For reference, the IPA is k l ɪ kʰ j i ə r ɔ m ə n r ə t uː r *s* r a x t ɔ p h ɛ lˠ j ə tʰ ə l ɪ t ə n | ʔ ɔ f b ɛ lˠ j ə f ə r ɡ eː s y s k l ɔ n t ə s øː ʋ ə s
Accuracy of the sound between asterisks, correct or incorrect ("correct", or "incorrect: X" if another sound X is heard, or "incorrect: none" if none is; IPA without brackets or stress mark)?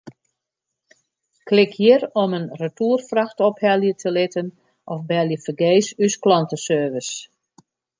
incorrect: f